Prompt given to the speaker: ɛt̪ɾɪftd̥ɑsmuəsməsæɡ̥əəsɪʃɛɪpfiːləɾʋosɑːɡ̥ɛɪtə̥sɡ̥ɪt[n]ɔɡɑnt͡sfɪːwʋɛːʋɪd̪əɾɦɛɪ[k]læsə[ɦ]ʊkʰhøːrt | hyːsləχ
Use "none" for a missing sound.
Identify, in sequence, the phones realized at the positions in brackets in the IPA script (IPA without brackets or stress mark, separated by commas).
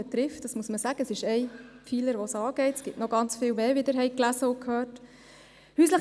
n, k, none